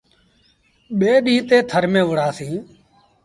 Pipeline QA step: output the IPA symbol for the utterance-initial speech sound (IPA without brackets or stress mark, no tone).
ɓ